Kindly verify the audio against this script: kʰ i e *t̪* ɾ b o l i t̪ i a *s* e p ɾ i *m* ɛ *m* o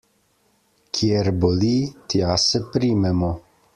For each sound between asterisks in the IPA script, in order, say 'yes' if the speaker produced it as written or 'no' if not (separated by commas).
no, yes, yes, yes